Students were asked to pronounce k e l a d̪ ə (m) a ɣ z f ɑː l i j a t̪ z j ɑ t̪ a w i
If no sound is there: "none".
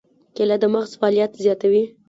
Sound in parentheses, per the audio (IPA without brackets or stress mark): m